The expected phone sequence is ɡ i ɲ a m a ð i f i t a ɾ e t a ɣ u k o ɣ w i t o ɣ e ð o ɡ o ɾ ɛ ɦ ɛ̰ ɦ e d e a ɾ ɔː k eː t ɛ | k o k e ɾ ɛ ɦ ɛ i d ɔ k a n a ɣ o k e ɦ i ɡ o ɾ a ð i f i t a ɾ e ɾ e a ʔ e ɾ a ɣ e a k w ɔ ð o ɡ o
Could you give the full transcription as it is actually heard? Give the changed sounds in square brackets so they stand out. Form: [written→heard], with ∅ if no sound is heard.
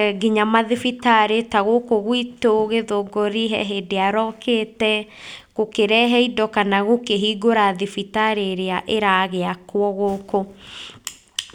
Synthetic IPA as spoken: ɡ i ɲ a m a ð i f i t a ɾ e t a ɣ [u→o] k o ɣ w i t o ɣ e ð o ɡ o ɾ [ɛ→i] ɦ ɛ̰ ɦ e d e a ɾ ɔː k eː t ɛ | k o k e ɾ ɛ ɦ ɛ i d ɔ k a n a ɣ o k e ɦ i ɡ o ɾ a ð i f i t a ɾ e ɾ e a ʔ e ɾ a ɣ e a k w ɔ [ð→ɣ] o [ɡ→k] o

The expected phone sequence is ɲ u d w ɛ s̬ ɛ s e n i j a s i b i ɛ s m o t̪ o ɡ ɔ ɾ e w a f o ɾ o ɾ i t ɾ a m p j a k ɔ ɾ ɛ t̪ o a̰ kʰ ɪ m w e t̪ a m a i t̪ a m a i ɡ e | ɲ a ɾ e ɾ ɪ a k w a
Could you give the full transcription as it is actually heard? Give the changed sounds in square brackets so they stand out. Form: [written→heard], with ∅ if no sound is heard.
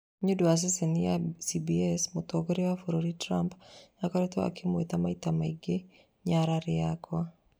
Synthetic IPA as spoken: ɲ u d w [ɛ→a] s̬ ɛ s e n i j a s i b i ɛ s m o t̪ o ɡ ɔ ɾ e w a f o ɾ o ɾ i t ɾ a m p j a k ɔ ɾ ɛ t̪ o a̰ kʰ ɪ m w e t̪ a m a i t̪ a m a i ɡ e | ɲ a ɾ [e→a] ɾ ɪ a k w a

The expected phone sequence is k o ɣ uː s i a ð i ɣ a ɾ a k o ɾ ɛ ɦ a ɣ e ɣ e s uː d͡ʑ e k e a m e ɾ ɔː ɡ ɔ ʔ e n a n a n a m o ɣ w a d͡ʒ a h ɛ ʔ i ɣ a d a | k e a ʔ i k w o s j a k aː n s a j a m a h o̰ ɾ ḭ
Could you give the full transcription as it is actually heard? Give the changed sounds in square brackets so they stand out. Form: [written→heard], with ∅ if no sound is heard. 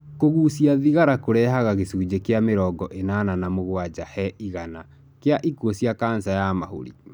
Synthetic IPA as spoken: k o ɣ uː s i a ð i ɣ a ɾ a k o ɾ ɛ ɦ a ɣ [e→a] ɣ e s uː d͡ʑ e k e a m e ɾ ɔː ɡ ɔ ʔ e n a n a n a m o ɣ w a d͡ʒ a h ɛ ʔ i ɣ a [d→n] a | k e a ʔ i k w o s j a k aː n s a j a m a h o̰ ɾ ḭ

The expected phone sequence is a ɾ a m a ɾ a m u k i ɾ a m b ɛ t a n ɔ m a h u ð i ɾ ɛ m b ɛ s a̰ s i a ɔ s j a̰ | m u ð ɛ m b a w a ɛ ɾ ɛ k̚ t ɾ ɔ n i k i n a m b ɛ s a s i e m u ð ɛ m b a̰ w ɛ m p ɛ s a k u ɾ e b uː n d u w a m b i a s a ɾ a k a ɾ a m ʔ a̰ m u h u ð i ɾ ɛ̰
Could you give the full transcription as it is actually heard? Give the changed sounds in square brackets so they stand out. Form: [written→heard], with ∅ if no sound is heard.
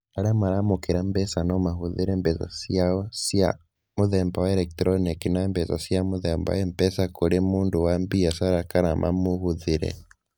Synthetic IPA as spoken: a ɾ a m a ɾ a m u k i ɾ a m b ɛ [t→s] a n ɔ m a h u ð i ɾ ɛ m b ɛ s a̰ s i a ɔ s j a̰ | m u ð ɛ m b a w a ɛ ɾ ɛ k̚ t ɾ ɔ n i k i n a m b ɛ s a s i [e→a] m u ð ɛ m b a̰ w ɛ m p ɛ s a k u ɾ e [b→m] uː n d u w a m b i a s a ɾ a k a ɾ a m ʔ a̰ m u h u ð i ɾ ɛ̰

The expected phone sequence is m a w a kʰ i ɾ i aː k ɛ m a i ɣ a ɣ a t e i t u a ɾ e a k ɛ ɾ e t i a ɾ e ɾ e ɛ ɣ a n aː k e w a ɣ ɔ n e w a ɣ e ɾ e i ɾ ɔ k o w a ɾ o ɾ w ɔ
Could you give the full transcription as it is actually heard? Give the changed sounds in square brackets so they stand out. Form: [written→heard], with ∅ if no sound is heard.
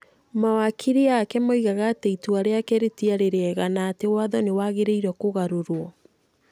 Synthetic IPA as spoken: m a w a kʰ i ɾ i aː k ɛ m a i ɣ a ɣ a t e i t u a ɾ e a k ɛ ɾ e t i a ɾ e ɾ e ɛ ɣ a n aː [k→t] e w a [ɣ→ð] ɔ n e w a ɣ e ɾ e i ɾ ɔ k o [w→ɣ] a ɾ o ɾ w ɔ

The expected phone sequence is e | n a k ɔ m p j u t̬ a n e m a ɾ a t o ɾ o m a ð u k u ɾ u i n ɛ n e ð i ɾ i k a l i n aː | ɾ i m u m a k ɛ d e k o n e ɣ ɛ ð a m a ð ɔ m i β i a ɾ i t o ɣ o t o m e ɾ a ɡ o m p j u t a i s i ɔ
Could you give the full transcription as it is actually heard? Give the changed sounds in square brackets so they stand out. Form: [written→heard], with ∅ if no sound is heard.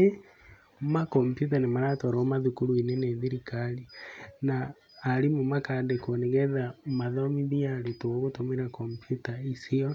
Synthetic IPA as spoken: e | [n→m] a k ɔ m p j u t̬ a n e m a ɾ a t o ɾ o m a ð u k u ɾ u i n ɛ n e ð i ɾ i k a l i n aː | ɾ i m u m a k [ɛ→a] d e k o n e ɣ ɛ ð a m a ð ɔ m i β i a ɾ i t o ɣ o t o m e ɾ a [ɡ→k] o m p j u t a i s i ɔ

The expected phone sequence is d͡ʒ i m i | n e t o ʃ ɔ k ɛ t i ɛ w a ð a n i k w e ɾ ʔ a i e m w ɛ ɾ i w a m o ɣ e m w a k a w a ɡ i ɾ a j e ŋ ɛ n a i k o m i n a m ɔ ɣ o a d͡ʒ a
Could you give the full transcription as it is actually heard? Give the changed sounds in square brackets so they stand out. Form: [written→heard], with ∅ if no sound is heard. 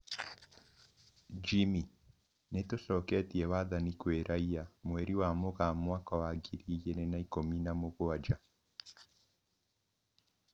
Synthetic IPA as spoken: d͡ʒ i m i | n e t o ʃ ɔ k ɛ t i ɛ w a ð a n i k w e ɾ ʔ a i [e→a] m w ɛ ɾ i w a m o ɣ [e→a] m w a k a w a ɡ i ɾ [a→i] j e [ŋ→n] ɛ n a i k o m i n a m [ɔ→o] ɣ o a d͡ʒ a

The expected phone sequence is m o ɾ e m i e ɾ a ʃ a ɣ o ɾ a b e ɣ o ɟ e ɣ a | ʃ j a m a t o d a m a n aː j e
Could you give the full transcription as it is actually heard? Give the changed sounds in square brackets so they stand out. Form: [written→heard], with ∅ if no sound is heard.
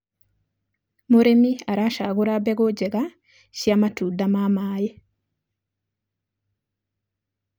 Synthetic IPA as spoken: m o ɾ e m i [e→a] ɾ a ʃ a ɣ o ɾ a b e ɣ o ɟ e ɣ a | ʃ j a m a t [o→u] d a m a [n→m] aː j e

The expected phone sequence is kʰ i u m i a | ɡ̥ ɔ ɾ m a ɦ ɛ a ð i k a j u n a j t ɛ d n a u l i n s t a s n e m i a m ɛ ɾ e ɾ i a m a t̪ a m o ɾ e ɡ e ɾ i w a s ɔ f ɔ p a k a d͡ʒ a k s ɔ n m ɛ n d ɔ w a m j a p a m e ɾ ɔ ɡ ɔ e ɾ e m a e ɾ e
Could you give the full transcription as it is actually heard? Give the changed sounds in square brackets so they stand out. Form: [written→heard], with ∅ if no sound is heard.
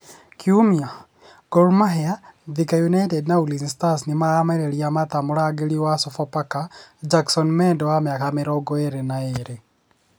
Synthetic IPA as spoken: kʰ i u m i a | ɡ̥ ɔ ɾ m a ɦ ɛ a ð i k a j u n a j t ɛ d n a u l i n s t a s n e m [i→a] a m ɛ ɾ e ɾ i a m a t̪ a m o ɾ [e→a] ɡ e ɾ i w a s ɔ f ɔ p a k a d͡ʒ a k s ɔ n m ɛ n d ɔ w a m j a [p→k] a m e ɾ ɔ ɡ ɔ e ɾ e [m→n] a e ɾ e

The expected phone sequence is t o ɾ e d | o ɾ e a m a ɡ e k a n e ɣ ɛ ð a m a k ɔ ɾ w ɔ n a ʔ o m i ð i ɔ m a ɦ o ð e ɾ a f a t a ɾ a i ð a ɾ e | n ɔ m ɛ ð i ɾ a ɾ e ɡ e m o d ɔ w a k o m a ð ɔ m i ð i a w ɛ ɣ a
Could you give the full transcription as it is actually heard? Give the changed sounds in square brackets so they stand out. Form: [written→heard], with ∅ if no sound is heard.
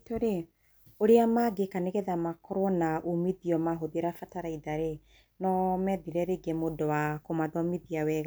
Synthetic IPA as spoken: t o ɾ e [d→∅] | o ɾ e a m a ɡ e k a n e ɣ ɛ ð a m a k ɔ ɾ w ɔ n a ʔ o m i ð i ɔ m a ɦ o ð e ɾ a f a t a ɾ a i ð a ɾ e | n ɔ m ɛ ð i ɾ [a→ɛ] ɾ e ɡ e m o d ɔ w a k o m a ð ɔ m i ð i a w ɛ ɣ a

